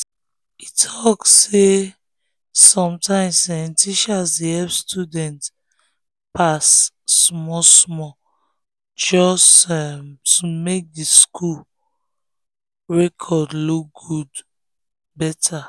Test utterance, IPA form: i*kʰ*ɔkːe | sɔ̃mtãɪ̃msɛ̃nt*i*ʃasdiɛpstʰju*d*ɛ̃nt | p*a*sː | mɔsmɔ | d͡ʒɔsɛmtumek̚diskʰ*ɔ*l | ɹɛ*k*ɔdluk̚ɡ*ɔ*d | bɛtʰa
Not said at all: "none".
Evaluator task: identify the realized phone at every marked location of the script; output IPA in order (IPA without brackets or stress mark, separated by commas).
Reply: tʰ, i, d, a, u, kʰ, u